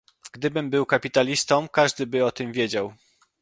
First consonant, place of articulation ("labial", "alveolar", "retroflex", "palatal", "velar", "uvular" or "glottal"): velar